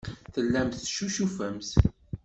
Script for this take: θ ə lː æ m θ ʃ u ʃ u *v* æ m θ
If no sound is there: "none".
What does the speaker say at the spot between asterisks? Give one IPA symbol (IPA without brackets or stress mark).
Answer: f